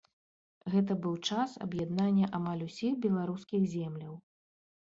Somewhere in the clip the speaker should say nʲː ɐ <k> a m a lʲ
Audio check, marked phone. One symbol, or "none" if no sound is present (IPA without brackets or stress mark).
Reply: ʔ